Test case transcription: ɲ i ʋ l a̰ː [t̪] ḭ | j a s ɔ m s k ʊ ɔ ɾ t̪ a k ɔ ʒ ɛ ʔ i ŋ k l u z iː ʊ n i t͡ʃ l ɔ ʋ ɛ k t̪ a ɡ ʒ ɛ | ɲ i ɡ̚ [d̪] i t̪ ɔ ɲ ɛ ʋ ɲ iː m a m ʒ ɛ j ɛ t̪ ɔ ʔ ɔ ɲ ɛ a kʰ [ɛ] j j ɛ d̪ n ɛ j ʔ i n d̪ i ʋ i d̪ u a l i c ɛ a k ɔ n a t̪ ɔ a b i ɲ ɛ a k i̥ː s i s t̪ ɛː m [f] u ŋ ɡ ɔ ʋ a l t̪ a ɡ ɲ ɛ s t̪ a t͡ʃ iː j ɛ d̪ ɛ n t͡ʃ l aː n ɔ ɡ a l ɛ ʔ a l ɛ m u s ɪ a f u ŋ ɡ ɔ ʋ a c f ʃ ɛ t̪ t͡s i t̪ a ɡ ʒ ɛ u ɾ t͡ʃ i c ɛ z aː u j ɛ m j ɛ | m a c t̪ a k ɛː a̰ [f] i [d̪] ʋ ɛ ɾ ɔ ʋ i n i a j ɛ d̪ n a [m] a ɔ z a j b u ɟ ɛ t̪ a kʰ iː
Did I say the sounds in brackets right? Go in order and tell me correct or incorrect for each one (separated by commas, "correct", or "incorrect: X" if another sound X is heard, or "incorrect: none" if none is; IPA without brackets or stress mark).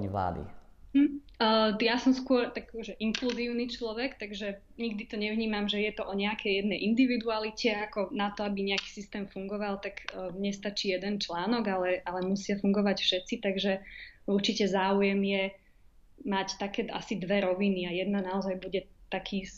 incorrect: d̪, correct, correct, correct, incorrect: s, correct, incorrect: n